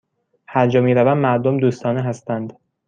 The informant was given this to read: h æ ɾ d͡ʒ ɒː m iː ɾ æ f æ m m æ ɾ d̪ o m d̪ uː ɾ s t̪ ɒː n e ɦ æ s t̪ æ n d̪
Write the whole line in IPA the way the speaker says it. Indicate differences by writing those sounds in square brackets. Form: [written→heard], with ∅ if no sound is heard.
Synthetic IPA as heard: h æ ɾ d͡ʒ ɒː m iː ɾ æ [f→v] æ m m æ ɾ d̪ o m d̪ uː [ɾ→∅] s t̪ ɒː n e ɦ æ s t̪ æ n d̪